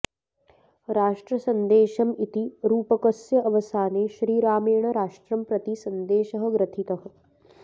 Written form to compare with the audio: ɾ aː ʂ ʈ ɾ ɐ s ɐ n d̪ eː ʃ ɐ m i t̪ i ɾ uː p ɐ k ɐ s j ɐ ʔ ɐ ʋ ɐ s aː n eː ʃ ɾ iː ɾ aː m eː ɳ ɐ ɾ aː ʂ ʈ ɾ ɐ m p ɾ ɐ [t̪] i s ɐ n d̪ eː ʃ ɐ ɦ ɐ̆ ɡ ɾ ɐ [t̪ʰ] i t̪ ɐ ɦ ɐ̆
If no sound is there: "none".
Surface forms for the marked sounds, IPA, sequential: t̪, t̪ʰ

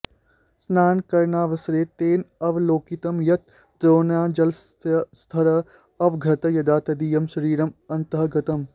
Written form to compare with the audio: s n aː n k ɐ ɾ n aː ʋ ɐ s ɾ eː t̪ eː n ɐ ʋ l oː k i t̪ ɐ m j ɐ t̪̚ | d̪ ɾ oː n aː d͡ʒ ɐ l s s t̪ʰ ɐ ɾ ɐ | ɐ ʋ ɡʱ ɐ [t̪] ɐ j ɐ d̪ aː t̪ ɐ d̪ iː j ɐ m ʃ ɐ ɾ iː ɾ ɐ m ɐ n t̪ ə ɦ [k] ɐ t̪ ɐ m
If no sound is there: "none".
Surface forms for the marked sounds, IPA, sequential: t̪, ɡ

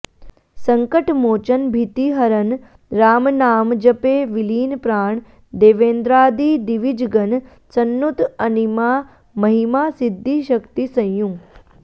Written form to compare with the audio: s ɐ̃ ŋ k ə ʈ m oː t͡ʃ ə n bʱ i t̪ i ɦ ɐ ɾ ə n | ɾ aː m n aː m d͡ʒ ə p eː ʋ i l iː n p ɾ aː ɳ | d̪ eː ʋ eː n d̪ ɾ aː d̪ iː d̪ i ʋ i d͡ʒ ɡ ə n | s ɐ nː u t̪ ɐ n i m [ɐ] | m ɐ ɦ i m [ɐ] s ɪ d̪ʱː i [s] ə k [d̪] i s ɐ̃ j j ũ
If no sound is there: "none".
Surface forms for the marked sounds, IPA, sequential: a, a, ʃ, t̪

